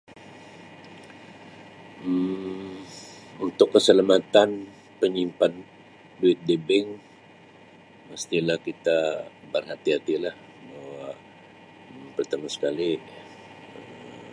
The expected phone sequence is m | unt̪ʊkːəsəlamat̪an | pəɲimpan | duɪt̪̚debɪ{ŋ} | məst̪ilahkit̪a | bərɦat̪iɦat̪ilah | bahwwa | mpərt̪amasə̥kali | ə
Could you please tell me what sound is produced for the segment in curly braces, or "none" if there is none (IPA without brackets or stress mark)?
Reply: ŋ